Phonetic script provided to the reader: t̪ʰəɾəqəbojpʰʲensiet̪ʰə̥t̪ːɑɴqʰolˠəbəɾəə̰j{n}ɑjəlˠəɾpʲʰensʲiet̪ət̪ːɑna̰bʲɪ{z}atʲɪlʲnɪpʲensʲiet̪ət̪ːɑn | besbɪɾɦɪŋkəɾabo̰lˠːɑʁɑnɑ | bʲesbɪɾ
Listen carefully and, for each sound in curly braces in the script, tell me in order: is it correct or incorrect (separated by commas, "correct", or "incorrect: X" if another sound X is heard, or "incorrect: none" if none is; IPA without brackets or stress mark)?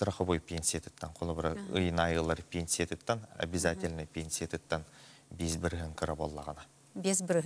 correct, correct